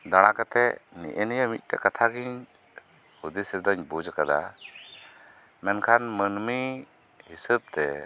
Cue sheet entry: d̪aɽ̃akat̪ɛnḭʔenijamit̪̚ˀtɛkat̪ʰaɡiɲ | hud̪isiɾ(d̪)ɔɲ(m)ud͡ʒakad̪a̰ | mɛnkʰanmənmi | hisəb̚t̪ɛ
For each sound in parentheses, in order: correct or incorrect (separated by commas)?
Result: correct, incorrect